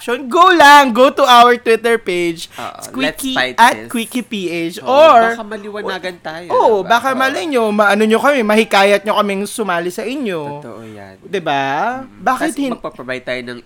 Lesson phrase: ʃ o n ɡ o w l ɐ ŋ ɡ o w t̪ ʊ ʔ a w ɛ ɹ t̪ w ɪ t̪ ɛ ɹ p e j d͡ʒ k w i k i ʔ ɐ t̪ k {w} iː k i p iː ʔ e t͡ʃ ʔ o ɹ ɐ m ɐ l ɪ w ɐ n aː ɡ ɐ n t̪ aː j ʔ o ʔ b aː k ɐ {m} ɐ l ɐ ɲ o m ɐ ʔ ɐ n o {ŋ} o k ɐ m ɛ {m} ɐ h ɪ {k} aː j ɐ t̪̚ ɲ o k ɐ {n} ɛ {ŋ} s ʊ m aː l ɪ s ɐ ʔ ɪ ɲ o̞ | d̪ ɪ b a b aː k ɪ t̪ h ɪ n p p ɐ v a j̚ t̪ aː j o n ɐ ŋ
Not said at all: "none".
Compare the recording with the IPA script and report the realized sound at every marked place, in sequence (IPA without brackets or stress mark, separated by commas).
w, m, ɲ, m, k, m, ŋ